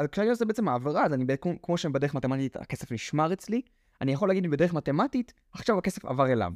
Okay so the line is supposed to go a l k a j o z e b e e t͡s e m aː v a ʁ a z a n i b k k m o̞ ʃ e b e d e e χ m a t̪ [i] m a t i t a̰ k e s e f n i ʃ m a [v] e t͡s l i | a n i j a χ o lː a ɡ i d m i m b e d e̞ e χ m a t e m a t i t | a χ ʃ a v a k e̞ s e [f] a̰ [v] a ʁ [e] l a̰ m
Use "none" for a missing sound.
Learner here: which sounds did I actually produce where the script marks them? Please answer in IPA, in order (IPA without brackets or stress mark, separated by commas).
e, ʁ, f, v, e